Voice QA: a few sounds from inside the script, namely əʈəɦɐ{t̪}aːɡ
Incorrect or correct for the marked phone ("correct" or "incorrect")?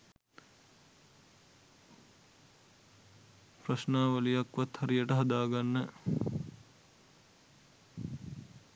incorrect